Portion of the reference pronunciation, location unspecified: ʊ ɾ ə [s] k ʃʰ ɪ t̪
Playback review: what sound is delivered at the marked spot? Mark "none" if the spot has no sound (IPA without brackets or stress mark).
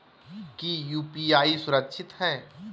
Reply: none